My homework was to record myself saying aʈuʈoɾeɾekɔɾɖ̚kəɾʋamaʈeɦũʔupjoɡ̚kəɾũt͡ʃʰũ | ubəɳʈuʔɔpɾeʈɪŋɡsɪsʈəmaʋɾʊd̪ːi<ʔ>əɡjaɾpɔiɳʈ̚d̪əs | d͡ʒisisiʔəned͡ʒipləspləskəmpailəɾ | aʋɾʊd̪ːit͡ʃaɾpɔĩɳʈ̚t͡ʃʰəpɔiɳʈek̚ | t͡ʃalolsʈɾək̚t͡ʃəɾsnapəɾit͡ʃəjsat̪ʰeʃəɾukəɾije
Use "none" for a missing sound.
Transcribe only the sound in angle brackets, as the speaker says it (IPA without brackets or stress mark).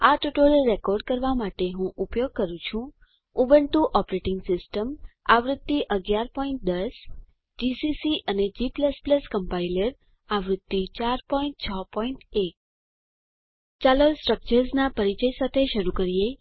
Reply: ʔ